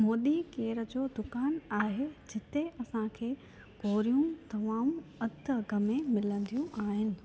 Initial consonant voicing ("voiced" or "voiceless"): voiced